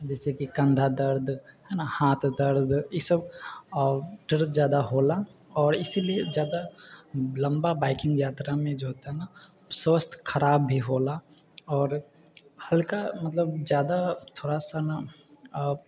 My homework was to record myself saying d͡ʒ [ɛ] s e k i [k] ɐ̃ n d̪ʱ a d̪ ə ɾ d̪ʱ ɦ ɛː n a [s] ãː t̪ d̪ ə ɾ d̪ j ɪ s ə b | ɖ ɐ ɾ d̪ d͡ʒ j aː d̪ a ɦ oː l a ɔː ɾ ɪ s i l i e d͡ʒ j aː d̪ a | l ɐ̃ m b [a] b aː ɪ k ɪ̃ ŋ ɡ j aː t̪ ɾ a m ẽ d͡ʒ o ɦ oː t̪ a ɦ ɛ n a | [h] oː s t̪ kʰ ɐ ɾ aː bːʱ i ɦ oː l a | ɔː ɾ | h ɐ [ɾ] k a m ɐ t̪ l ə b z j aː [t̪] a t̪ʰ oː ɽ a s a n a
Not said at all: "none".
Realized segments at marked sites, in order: ɛː, k, h, a, s, l, d̪

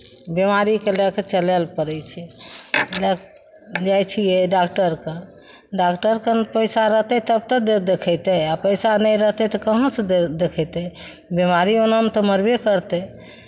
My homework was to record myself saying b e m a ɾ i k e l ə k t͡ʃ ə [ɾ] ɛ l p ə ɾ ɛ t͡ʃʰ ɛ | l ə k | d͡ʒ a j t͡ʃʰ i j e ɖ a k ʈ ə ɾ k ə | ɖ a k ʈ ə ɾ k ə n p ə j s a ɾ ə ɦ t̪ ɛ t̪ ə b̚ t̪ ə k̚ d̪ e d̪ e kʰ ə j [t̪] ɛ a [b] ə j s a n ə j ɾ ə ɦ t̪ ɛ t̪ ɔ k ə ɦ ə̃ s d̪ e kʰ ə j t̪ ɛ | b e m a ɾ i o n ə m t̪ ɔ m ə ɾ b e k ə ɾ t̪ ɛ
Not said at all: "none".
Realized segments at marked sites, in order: l, t̪, p

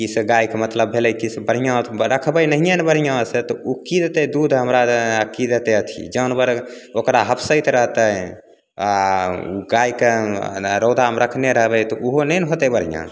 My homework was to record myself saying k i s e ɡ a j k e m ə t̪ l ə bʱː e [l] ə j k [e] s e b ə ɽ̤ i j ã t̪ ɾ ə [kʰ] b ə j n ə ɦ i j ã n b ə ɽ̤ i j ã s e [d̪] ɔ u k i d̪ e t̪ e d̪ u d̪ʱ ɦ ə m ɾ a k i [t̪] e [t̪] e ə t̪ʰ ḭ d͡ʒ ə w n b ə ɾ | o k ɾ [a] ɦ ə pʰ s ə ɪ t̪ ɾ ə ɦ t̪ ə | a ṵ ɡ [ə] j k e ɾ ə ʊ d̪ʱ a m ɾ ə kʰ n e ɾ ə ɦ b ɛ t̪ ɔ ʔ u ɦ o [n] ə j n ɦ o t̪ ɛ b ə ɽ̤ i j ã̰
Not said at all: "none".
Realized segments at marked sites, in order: l, i, kʰ, t̪, d̪, t̪, a, a, n

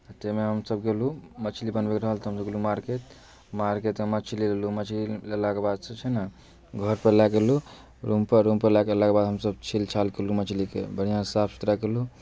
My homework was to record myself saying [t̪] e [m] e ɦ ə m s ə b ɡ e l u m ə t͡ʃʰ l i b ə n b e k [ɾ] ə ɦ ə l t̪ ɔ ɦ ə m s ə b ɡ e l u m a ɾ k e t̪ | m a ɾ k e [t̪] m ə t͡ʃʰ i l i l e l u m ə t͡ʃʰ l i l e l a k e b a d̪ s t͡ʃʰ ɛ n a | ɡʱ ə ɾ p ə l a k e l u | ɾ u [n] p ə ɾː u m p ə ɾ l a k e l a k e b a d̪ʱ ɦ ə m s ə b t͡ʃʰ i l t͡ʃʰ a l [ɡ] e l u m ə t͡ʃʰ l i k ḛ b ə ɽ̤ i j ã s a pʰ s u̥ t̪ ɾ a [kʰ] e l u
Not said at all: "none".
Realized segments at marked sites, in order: t̪, m, ɾ, t̪, m, k, k

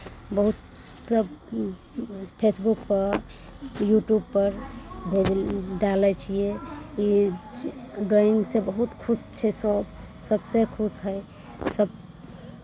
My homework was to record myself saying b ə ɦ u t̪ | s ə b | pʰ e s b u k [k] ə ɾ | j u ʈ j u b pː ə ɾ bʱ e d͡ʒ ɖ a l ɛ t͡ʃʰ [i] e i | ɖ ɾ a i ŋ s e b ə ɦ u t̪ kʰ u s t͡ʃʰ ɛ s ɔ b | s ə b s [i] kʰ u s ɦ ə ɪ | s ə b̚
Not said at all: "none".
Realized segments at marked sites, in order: p, i, e

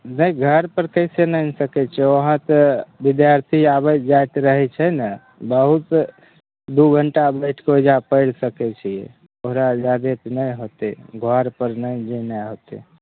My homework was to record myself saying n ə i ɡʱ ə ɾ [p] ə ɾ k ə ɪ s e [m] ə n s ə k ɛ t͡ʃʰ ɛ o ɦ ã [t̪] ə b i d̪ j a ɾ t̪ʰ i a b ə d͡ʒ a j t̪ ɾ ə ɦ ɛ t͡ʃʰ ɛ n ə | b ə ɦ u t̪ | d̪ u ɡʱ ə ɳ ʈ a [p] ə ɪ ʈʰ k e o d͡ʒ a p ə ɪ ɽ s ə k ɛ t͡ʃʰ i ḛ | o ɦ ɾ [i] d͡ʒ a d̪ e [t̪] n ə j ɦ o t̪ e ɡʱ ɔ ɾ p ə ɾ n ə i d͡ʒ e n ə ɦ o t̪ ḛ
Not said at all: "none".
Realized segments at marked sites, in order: p, n, t̪, b, a, t̪

